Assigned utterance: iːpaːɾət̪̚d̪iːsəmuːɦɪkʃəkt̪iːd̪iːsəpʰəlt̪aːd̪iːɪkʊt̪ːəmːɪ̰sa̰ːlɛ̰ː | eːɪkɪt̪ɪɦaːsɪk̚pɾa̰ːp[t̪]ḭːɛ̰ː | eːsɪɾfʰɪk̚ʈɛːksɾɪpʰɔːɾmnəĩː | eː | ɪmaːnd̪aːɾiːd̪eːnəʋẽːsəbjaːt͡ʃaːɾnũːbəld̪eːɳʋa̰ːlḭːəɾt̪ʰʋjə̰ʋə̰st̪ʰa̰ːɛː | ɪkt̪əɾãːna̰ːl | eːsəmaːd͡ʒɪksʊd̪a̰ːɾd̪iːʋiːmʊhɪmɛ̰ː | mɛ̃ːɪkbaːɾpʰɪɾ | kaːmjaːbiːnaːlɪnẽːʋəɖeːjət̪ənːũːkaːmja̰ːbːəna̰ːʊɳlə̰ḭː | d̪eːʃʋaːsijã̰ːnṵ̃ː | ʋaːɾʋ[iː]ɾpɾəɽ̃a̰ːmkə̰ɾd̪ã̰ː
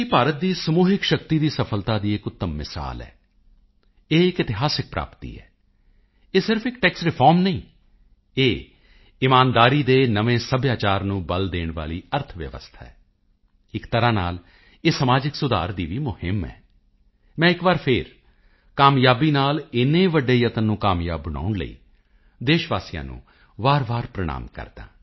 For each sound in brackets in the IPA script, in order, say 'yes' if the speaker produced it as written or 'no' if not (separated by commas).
yes, no